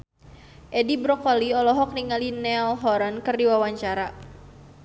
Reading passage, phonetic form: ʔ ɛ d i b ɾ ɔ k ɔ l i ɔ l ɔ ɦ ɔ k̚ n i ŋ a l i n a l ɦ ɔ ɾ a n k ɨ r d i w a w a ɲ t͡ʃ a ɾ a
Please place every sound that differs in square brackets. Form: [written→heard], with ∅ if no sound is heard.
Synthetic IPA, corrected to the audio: ʔ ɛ d i b ɾ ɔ k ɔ l i ɔ l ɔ ɦ ɔ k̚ n i ŋ a l i n [a→ɛ] l ɦ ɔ ɾ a n k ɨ r d i w a w a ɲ t͡ʃ a ɾ a